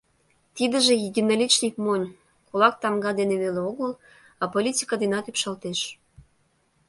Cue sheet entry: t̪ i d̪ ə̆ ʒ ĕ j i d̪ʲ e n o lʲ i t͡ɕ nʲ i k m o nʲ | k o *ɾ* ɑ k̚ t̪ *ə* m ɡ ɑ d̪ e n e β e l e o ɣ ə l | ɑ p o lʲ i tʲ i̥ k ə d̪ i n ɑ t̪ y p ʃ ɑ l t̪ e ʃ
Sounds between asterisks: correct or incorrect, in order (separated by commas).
incorrect, incorrect